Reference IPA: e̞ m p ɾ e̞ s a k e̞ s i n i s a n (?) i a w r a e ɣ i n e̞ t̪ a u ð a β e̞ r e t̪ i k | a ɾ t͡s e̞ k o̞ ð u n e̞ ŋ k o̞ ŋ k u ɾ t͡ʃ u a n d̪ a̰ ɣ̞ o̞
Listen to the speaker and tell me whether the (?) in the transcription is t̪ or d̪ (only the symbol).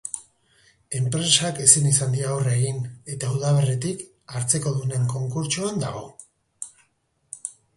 d̪